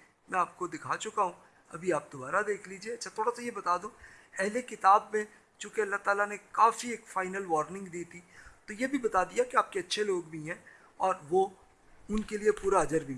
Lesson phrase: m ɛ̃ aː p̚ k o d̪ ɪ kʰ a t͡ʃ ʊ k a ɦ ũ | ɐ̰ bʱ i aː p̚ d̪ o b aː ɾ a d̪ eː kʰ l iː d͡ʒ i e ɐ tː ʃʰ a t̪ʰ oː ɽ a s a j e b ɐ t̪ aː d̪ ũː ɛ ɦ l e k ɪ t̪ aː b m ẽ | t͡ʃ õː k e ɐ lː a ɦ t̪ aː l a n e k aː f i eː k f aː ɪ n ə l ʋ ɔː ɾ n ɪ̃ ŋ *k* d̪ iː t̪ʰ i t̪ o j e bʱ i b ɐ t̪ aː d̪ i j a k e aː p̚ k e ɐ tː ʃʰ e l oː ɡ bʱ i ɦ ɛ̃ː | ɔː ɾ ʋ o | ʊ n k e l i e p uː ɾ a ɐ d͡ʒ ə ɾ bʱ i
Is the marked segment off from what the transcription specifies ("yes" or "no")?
yes